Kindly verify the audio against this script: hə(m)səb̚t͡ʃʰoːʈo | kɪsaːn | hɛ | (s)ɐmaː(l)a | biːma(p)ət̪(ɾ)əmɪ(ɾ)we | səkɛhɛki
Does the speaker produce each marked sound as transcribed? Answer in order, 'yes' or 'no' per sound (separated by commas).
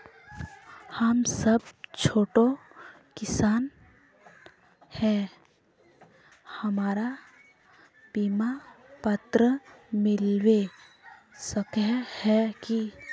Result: yes, no, no, yes, yes, no